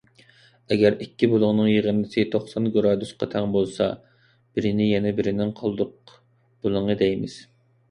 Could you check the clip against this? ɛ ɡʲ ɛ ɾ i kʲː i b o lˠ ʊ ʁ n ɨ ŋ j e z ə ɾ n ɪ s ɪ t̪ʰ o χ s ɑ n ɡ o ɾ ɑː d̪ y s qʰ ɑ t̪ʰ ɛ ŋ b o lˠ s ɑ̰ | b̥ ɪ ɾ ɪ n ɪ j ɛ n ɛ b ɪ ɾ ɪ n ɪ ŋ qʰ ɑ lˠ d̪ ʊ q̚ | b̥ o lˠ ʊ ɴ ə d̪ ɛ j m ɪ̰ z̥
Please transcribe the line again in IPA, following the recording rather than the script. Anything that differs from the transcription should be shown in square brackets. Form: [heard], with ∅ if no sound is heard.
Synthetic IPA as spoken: ɛ ɡʲ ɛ ɾ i kʲː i b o lˠ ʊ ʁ n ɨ ŋ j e [ʁ] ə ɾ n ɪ s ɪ t̪ʰ o χ s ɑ n ɡ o ɾ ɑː d̪ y s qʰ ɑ t̪ʰ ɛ ŋ b o lˠ s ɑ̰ | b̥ ɪ ɾ ɪ n ɪ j ɛ n ɛ b ɪ ɾ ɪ n ɪ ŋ qʰ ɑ lˠ d̪ ʊ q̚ | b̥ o lˠ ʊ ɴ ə d̪ ɛ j m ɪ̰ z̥